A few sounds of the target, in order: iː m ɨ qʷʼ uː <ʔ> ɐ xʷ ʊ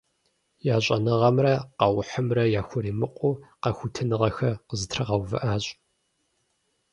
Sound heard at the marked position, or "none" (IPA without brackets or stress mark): q